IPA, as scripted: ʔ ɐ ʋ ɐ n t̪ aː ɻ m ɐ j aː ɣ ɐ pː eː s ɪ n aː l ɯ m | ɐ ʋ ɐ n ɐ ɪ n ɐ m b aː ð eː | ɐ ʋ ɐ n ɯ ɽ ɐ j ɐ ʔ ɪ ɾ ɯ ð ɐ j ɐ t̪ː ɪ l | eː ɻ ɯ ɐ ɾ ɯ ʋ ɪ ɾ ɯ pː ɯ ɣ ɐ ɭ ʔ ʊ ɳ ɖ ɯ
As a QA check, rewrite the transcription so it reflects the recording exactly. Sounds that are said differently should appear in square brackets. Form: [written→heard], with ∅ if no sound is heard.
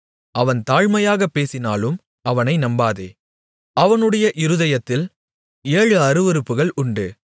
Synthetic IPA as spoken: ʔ ɐ ʋ ɐ n t̪ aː ɻ m ɐ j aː ɣ ɐ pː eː s ɪ n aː l ɯ m | ɐ ʋ ɐ n ɐ ɪ n ɐ m b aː ð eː | ɐ ʋ ɐ n ɯ ɽ ɐ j ɐ ʔ ɪ ɾ ɯ ð ɐ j ɐ t̪ː ɪ l | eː ɻ ɯ ɐ ɾ ɯ ʋ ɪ ɾ ɯ pː ɯ ɣ ɐ ɭ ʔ ʊ ɳ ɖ ɯ

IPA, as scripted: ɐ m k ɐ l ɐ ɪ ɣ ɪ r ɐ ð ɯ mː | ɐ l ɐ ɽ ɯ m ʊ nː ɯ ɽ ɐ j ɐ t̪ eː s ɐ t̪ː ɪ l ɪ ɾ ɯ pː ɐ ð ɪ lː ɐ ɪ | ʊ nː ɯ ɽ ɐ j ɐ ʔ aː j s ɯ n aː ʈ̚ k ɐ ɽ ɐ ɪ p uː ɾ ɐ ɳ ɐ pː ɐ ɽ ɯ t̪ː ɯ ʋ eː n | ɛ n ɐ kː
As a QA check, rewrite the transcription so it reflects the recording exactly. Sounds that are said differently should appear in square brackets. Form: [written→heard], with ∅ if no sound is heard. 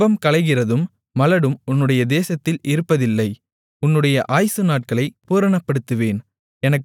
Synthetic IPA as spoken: ɐ m k ɐ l ɐ ɪ ɣ ɪ r ɐ ð ɯ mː | ɐ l ɐ ɽ ɯ m ʊ nː ɯ ɽ ɐ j ɐ [t̪→d̪] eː s ɐ t̪ː ɪ l ɪ ɾ ɯ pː ɐ ð ɪ lː ɐ ɪ | ʊ nː ɯ ɽ ɐ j ɐ ʔ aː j s ɯ n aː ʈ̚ k ɐ [ɽ→ɭ] ɐ ɪ p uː ɾ ɐ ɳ ɐ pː ɐ ɽ ɯ t̪ː ɯ ʋ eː n | ɛ n ɐ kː

